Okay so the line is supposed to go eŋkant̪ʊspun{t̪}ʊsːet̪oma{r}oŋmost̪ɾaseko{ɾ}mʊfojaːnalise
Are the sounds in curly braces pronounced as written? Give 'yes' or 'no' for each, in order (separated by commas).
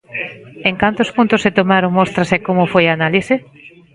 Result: yes, no, no